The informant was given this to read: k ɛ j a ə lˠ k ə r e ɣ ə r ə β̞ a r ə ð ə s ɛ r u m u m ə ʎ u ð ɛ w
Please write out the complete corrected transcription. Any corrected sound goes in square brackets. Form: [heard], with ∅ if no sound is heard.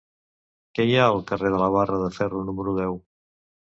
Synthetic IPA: k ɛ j a ə lˠ k ə r e [ð] ə [l] ə β̞ a r ə ð ə [f] ɛ r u [n] u m ə [ɾ] u ð ɛ w